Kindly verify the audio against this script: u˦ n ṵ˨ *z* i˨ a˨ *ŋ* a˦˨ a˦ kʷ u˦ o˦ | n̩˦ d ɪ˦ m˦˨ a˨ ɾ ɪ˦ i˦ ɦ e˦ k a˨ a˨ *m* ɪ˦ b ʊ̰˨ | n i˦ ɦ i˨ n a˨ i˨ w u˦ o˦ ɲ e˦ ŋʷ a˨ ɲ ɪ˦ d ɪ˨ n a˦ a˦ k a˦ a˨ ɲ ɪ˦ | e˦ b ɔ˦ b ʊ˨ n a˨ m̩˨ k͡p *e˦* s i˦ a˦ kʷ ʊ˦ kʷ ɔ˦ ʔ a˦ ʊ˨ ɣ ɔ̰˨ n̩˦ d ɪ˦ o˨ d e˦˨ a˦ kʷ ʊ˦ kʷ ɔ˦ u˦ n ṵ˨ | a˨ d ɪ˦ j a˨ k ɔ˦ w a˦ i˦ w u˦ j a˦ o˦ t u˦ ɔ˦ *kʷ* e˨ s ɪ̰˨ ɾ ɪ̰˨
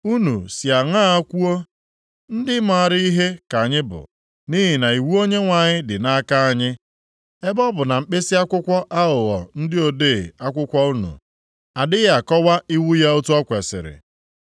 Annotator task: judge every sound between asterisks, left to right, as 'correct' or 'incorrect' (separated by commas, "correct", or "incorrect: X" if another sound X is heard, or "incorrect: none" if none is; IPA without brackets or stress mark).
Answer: incorrect: s, correct, incorrect: ɲ, correct, correct